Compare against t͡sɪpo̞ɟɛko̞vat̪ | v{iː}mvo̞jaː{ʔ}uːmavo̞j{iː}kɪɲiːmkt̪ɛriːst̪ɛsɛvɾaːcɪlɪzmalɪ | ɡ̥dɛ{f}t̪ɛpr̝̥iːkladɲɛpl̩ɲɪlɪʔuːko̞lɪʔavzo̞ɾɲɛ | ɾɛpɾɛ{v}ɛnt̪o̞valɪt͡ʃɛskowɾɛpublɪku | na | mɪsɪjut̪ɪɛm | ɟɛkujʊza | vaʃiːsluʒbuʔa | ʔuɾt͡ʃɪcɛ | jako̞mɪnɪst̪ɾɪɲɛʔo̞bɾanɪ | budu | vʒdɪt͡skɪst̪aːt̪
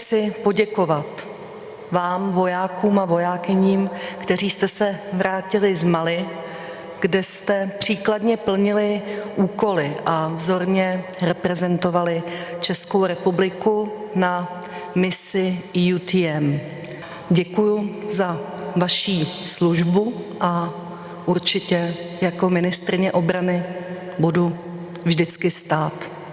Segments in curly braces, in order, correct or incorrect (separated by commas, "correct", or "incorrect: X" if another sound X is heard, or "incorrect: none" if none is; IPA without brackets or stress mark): incorrect: aː, incorrect: k, incorrect: aː, incorrect: s, incorrect: z